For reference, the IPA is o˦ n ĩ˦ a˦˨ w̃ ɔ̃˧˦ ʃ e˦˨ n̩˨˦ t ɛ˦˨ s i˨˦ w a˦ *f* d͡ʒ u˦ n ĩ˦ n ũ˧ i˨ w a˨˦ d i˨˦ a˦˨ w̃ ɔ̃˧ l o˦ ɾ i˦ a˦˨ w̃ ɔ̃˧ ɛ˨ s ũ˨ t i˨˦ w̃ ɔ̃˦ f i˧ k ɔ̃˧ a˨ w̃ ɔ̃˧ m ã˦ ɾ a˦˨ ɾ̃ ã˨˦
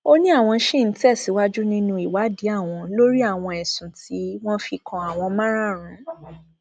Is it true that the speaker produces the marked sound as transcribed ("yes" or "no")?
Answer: no